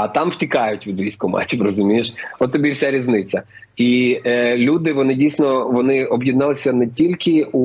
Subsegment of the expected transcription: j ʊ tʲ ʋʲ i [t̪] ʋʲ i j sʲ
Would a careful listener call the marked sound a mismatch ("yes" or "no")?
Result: yes